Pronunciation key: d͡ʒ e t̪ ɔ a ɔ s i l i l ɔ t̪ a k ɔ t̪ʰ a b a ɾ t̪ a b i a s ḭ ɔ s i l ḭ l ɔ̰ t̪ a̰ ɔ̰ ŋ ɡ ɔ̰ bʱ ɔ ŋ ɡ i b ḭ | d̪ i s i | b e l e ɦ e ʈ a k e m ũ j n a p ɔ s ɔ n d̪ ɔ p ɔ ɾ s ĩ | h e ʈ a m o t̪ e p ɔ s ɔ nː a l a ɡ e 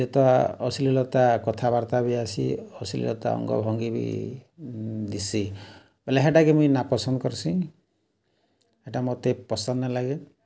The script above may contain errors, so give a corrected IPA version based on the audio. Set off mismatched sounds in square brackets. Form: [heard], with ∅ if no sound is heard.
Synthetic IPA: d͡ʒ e t̪ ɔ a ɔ s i l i l ɔ t̪ a k ɔ t̪ʰ a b a ɾ t̪ a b i a s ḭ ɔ s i l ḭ l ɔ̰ t̪ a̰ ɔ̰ ŋ ɡ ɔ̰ bʱ ɔ ŋ ɡ i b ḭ | d̪ i s i | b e l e ɦ e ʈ a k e m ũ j n a p ɔ s ɔ n d̪ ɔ [k] ɔ ɾ s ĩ | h e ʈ a m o t̪ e p ɔ s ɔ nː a l a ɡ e